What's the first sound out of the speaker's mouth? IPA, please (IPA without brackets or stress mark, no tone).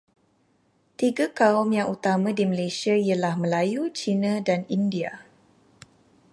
t̪